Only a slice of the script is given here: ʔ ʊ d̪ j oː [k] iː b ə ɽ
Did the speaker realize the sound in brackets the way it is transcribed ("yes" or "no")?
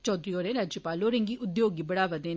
no